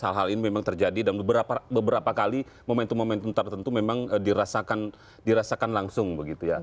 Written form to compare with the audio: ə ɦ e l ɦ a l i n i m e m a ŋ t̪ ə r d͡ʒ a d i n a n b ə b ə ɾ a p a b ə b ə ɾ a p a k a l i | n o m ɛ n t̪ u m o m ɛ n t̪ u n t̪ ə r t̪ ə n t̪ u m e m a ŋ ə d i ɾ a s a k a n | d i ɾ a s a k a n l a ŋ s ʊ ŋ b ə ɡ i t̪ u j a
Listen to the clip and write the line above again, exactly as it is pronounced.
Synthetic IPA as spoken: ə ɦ a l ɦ a l i n i m e m a ŋ t̪ ə r d͡ʒ a d i d a n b ə b ə ɾ a p a b ə b ə ɾ a p a k a l i | m o m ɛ n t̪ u m o m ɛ n t̪ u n t̪ ə r t̪ ə n t̪ u m e m a ŋ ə d i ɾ a s a k a n | d i ɾ a s a k a n l a ŋ s ʊ ŋ b ə ɡ i t̪ u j a